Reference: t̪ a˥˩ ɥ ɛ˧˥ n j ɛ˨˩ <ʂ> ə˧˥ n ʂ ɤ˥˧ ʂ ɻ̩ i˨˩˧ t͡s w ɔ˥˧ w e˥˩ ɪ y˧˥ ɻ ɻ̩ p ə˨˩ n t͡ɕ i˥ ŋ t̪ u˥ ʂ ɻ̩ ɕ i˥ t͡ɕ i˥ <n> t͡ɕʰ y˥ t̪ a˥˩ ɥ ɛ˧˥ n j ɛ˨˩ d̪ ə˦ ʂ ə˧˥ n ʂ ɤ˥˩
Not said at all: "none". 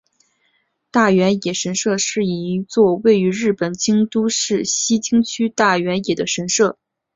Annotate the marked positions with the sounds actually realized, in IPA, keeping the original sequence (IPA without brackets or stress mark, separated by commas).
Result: ʂ, ŋ